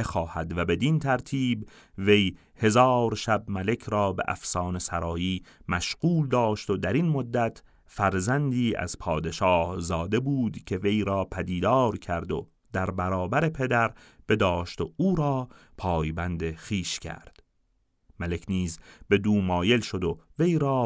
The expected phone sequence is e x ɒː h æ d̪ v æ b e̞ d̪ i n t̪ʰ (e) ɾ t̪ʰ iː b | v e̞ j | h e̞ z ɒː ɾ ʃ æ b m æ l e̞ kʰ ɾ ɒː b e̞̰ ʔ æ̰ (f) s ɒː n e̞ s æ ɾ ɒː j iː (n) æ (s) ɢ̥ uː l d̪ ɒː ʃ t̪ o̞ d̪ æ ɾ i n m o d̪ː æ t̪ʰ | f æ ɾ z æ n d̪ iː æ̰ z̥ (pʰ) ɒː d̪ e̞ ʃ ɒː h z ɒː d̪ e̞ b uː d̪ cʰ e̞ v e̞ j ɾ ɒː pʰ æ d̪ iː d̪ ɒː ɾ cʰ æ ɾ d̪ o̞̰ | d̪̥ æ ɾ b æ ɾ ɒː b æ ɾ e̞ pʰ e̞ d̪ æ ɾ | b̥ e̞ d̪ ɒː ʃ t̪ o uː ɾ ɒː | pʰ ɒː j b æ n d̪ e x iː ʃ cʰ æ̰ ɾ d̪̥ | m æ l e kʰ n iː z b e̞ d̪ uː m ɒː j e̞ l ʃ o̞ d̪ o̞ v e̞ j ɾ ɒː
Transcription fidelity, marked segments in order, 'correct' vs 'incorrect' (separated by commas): incorrect, correct, incorrect, incorrect, correct